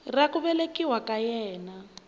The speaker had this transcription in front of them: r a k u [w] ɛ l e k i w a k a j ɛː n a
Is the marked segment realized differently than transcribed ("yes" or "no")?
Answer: yes